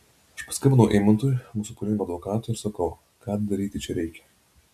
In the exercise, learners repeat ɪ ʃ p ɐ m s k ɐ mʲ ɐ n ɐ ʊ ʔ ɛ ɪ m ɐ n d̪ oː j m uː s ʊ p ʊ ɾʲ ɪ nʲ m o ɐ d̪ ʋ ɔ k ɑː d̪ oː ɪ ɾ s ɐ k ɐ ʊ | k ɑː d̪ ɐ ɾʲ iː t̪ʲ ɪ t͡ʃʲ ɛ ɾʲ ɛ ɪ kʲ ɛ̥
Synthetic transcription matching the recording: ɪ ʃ p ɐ s k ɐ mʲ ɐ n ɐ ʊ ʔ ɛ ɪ m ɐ n t̪ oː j m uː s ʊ p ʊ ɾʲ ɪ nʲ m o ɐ d̪ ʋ ɔ k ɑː t̪ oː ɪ ɾ s ɐ k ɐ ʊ | k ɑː d̪ ɐ ɾʲ iː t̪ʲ ɪ t͡ʃʲ ɛ ɾʲ ɛ ɪ kʲ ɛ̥

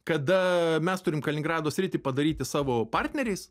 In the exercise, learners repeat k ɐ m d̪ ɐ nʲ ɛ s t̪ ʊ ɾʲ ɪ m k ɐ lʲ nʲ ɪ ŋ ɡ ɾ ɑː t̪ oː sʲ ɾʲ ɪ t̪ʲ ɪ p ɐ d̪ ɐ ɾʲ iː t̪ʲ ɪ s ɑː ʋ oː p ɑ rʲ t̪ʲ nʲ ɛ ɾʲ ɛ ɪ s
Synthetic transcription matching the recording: k ɐ d̪ ɐ mʲ ɛ s t̪ ʊ ɾʲ ɪ m k ɐ lʲ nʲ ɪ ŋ ɡ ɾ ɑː d̪ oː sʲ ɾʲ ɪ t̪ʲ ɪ p ɐ d̪ ɐ ɾʲ iː t̪ʲ ɪ s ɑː ʋ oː p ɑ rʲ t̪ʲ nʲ ɛ ɾʲ ɛ ɪ s

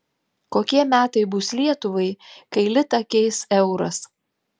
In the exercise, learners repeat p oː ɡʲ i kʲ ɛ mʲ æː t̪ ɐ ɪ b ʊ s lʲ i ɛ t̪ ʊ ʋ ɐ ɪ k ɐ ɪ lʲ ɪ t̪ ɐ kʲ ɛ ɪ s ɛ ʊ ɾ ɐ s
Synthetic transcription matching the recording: k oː kʲ i ɛ mʲ æː t̪ ɐ ɪ b ʊ s lʲ i ɛ t̪ ʊ ʋ ɐ ɪ k ɐ ɪ lʲ ɪ t̪ ɐ kʲ ɛ ɪ s ɛ ʊ ɾ ɐ s

